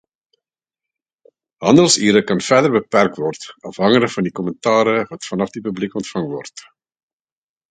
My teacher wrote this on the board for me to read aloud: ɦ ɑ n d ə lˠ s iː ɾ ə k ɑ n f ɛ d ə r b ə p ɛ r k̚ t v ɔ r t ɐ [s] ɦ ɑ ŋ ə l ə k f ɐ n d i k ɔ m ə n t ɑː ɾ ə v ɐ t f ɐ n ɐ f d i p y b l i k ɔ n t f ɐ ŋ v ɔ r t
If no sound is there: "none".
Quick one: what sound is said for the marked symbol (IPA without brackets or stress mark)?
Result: f